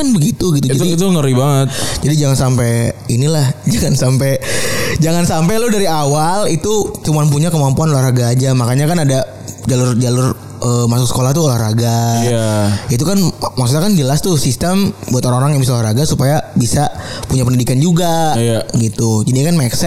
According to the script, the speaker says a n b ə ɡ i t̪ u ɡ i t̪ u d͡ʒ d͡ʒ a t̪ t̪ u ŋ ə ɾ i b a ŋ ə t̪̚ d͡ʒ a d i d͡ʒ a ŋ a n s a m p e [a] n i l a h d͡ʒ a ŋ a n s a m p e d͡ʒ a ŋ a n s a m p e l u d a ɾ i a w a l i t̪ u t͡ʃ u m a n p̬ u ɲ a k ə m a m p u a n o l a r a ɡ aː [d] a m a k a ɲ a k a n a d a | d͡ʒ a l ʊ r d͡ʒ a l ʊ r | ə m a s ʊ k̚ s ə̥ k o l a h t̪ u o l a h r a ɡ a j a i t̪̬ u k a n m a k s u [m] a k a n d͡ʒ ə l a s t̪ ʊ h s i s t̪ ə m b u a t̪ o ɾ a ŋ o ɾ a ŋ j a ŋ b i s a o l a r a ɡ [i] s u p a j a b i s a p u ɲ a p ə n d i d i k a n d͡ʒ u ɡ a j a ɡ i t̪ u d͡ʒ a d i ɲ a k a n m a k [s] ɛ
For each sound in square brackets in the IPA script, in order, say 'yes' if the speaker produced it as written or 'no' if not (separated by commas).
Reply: no, no, no, no, yes